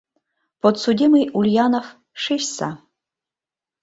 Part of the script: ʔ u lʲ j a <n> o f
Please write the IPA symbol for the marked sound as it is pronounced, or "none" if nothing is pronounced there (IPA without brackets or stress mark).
n